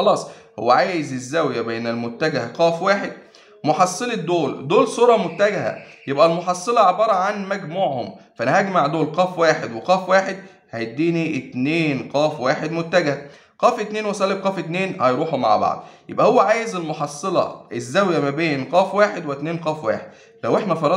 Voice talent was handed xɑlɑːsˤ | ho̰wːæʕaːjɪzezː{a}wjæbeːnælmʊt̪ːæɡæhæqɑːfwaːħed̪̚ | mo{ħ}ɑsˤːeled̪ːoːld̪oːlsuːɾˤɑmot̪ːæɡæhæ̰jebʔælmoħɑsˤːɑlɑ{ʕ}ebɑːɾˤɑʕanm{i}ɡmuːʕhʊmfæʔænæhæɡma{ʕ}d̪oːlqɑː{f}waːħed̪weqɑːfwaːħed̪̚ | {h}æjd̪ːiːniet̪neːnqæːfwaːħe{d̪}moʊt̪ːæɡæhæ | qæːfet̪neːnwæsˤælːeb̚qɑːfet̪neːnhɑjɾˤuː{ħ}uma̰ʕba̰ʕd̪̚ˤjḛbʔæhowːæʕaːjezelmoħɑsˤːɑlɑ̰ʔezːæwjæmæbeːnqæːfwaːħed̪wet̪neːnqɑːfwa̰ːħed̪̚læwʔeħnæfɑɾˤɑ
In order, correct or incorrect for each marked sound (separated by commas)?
incorrect, correct, correct, incorrect, correct, correct, correct, correct, correct